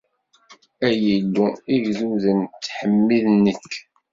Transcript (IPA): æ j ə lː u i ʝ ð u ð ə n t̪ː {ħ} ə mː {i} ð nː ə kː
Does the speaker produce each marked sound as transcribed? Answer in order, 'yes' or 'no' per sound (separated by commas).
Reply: yes, yes